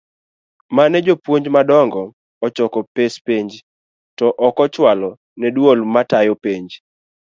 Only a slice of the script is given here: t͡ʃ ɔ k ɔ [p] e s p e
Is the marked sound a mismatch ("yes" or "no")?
no